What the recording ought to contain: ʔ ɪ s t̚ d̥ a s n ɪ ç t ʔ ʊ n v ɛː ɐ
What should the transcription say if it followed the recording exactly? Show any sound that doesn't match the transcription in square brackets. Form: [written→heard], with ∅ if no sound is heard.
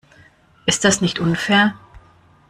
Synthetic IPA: ʔ ɪ s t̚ d̥ a s n ɪ ç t ʔ ʊ n [v→f] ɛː ɐ